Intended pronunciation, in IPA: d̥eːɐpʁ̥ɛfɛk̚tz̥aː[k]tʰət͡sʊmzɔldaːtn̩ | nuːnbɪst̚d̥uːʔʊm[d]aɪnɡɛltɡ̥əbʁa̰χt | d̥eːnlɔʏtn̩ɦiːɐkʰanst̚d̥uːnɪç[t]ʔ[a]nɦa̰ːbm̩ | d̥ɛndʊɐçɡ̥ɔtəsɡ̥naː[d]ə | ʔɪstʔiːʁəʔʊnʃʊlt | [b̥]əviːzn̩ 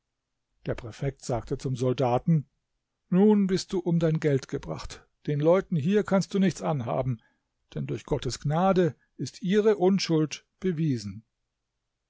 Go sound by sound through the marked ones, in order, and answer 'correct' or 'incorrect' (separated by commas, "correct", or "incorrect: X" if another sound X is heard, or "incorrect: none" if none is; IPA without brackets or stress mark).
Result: correct, correct, incorrect: t͡s, correct, correct, correct